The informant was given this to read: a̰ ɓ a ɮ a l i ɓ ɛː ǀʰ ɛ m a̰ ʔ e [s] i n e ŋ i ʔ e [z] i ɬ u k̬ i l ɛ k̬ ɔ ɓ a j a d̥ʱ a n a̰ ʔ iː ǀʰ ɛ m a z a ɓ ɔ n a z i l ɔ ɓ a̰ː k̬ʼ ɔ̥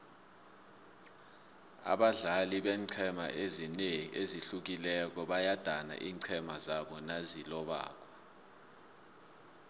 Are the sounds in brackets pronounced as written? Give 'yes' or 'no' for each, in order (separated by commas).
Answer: no, yes